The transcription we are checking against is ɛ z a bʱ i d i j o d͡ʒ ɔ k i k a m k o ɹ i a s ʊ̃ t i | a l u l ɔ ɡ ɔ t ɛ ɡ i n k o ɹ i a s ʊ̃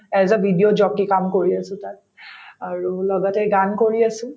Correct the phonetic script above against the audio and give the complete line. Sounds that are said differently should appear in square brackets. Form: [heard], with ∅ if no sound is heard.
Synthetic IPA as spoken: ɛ z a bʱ i d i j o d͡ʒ ɔ k i k a m k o ɹ i a s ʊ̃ t [a] | a [ɹ] u l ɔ ɡ ɔ t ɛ ɡ [a] n k o ɹ i a s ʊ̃